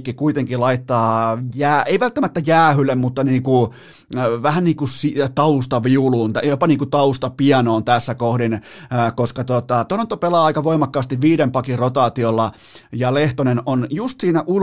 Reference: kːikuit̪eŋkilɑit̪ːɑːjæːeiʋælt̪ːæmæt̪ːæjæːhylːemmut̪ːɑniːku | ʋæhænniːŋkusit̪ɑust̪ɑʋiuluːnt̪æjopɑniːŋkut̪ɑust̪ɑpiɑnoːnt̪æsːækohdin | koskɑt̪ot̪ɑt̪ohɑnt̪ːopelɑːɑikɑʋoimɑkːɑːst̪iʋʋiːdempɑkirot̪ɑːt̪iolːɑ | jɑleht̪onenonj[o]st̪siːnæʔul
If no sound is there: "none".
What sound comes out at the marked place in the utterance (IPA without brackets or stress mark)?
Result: u